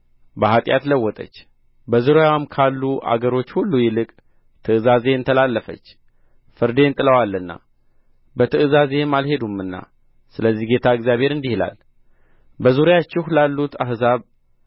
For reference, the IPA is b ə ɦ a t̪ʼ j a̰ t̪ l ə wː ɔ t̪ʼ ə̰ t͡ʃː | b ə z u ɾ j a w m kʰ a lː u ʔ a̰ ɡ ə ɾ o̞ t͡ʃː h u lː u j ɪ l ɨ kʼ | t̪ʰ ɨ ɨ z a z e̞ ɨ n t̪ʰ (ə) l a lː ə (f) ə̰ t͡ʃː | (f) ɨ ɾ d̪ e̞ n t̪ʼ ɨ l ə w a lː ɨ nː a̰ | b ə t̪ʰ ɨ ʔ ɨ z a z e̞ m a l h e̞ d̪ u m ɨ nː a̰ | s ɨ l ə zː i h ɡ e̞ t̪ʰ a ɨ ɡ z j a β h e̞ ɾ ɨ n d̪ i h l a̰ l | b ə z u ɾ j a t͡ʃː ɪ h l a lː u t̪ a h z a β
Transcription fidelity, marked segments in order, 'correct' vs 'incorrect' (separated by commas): correct, correct, correct